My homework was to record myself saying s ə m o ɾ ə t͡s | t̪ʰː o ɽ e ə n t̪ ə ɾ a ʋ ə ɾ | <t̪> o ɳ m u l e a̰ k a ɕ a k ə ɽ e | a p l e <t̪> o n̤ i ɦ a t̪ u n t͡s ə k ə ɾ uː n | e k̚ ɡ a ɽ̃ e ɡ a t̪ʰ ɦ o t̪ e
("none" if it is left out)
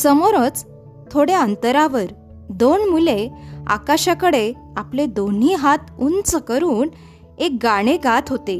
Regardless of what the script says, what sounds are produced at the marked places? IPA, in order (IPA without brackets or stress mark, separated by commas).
d̪, d̪